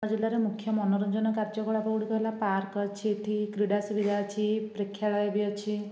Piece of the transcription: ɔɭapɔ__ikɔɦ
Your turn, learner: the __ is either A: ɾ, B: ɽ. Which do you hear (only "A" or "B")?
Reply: B